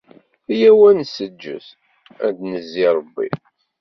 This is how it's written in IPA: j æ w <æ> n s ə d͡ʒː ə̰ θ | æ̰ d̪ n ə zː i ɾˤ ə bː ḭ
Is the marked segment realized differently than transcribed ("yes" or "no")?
no